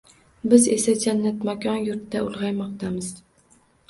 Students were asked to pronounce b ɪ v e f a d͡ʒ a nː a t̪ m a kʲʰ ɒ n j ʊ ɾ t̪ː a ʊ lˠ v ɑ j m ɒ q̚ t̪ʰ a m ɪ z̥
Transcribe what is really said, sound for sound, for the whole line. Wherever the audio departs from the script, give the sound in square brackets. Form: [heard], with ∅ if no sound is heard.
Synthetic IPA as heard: b ɪ [z] e [s] a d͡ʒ a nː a t̪ m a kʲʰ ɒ n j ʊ ɾ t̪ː a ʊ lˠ [ʁ] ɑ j m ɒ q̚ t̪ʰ a m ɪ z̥

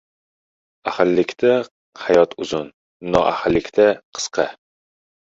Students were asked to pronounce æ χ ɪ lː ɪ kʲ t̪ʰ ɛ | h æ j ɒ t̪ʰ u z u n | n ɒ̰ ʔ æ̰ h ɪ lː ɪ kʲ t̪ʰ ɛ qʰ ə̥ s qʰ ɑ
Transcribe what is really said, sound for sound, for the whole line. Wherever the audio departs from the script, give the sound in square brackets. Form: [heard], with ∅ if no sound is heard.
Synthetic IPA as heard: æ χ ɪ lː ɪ kʲ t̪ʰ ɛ | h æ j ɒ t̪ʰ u z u n | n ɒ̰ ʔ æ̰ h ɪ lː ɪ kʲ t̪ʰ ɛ qʰ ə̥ s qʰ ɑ

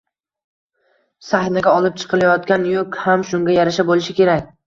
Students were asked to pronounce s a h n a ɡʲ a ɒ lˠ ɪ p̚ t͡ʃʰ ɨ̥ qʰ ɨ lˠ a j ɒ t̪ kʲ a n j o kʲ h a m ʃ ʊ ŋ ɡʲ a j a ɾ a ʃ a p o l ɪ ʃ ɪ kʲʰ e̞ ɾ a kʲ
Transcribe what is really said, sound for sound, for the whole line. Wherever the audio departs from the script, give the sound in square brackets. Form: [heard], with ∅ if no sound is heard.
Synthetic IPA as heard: s a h n a ɡʲ a ɒ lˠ ɪ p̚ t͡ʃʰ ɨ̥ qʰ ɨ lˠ a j ɒ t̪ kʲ a n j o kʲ h a m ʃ ʊ ŋ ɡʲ a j a ɾ a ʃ a [b] o l ɪ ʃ ɪ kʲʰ e̞ ɾ a kʲ

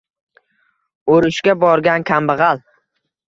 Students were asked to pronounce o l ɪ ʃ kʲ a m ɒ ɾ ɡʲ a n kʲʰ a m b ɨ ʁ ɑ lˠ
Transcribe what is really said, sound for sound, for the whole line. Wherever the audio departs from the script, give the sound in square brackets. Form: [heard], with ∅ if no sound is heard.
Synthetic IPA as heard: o [ɾ] ɪ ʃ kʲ a [b] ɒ ɾ ɡʲ a n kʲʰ a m b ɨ ʁ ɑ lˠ

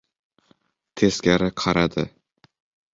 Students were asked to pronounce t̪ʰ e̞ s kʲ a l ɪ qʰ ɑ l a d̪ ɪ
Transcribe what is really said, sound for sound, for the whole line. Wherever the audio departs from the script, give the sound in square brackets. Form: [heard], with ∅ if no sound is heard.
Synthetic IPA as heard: t̪ʰ e̞ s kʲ a [ɾ] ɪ qʰ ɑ [ɾ] a d̪ ɪ

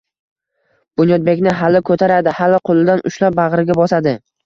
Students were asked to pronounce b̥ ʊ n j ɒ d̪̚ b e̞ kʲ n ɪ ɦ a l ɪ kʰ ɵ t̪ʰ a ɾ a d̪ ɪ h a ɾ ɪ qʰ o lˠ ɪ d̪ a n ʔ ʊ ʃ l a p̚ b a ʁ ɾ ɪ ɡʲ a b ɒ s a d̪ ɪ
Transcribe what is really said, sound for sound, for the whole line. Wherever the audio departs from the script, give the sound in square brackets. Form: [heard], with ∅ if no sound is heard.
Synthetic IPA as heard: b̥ ʊ n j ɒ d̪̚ b e̞ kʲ n ɪ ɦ a l ɪ kʰ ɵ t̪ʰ a ɾ a d̪ ɪ h a [l] ɪ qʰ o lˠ ɪ d̪ a n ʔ ʊ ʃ l a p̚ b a ʁ ɾ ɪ ɡʲ a b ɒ s a d̪ ɪ

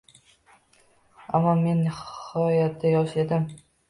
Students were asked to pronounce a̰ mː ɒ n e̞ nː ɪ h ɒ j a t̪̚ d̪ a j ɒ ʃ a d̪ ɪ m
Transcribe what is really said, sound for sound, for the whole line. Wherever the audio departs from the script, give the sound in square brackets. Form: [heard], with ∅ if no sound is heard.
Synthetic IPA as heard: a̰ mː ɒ [m] e̞ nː ɪ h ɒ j a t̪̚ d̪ a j ɒ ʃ [e] d̪ ɪ m

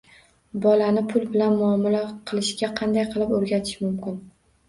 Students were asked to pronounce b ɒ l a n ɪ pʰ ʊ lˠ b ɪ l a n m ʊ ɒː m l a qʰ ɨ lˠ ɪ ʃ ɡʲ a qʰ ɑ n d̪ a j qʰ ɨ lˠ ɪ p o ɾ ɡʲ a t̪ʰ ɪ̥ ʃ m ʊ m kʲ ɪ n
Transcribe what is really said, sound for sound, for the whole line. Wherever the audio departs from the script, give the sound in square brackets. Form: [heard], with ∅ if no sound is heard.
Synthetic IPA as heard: b ɒ l a n ɪ pʰ ʊ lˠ b ɪ l a n m ʊ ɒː m l a qʰ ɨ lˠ ɪ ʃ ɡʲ a qʰ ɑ n d̪ a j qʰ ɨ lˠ ɪ p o ɾ ɡʲ a t̪ʰ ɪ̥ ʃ m ʊ m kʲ ɪ n

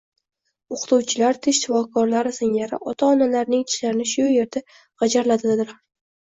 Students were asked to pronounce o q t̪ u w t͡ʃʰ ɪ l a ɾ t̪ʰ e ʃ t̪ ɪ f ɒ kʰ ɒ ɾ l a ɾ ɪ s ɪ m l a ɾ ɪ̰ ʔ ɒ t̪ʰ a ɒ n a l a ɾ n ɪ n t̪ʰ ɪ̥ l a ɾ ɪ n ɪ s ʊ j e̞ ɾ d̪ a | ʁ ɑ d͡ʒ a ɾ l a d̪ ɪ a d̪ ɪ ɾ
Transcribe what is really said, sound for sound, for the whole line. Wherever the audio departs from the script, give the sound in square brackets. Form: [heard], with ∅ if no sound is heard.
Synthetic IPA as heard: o q t̪ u w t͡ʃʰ ɪ l a ɾ t̪ʰ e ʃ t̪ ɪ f ɒ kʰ ɒ ɾ l a ɾ ɪ s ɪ [ŋ] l a ɾ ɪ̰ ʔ ɒ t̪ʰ a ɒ n a l a ɾ n ɪ [ŋ] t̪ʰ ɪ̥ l a ɾ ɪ n ɪ [ʃ] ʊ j e̞ ɾ d̪ a | ʁ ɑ d͡ʒ a ɾ l a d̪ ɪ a d̪ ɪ ɾ

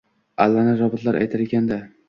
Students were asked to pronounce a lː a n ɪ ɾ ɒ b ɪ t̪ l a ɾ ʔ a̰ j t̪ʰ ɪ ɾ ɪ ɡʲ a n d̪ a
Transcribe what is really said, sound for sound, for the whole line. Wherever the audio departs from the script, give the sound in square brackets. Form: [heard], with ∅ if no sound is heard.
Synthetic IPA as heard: a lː a n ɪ ɾ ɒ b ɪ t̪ l a ɾ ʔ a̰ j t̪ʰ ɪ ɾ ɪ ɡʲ a n d̪ a

